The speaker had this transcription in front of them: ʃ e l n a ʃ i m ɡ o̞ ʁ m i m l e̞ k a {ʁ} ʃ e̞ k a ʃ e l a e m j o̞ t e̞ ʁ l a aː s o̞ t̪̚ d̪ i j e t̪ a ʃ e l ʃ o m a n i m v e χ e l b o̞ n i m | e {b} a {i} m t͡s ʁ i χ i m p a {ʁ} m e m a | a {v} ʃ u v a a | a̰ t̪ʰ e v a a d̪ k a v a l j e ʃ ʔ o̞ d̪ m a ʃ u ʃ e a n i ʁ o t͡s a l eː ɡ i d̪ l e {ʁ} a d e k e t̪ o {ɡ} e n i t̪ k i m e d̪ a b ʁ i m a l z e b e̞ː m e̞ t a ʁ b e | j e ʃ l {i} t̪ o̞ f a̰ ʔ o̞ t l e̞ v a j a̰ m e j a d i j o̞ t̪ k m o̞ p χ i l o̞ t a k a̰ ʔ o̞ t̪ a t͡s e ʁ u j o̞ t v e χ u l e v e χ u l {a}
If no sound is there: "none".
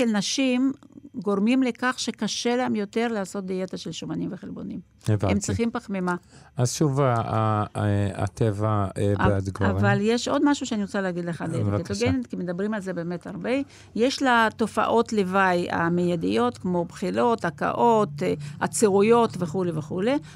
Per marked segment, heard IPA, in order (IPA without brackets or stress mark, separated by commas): χ, v, e, χ, z, χ, ɡ, a, e